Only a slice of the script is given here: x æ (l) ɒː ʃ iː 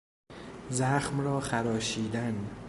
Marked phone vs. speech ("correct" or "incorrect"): incorrect